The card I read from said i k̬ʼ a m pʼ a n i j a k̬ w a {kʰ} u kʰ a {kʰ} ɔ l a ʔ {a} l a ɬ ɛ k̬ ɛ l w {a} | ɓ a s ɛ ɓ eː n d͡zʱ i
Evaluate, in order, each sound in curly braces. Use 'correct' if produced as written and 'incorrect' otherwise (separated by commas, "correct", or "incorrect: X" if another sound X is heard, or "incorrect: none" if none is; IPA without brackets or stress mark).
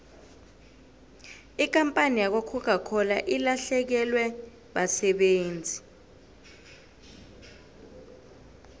correct, correct, incorrect: i, incorrect: ɛ